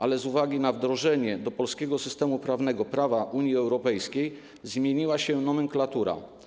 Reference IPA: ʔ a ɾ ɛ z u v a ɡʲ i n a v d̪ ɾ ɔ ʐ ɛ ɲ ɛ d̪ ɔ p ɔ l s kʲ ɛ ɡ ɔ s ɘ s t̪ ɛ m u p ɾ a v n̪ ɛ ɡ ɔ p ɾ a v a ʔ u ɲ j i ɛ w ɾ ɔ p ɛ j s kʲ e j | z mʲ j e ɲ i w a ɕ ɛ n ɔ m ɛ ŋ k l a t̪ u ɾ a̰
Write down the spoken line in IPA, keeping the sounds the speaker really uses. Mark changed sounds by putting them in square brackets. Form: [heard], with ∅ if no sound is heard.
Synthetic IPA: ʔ a [l] ɛ z u v a ɡʲ i n a v d̪ ɾ ɔ ʐ ɛ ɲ ɛ d̪ ɔ p ɔ l s kʲ ɛ ɡ ɔ s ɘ s t̪ ɛ m u p ɾ a v n̪ ɛ ɡ ɔ p ɾ a v a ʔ u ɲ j i ɛ w ɾ ɔ p ɛ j s kʲ e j | z mʲ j e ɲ i w a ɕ ɛ n ɔ m ɛ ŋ k l a t̪ u ɾ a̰